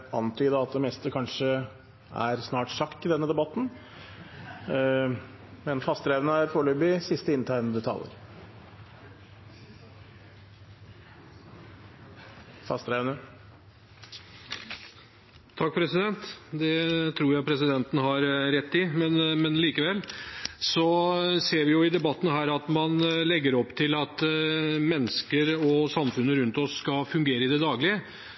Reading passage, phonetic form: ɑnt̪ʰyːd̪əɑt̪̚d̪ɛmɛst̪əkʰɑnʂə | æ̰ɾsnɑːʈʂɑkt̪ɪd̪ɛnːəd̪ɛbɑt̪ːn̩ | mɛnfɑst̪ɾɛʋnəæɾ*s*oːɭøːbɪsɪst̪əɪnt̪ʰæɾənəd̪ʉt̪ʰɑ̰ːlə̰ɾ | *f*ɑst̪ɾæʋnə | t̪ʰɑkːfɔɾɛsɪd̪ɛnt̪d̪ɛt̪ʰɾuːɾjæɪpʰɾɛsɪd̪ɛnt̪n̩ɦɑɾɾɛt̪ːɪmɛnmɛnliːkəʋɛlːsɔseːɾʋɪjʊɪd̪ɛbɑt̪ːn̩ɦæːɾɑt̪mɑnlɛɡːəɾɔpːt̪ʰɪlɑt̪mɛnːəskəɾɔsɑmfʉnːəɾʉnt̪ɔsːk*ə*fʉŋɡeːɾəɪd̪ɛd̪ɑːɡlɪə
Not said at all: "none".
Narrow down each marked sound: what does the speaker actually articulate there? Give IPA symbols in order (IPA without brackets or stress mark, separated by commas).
f, f, ɑ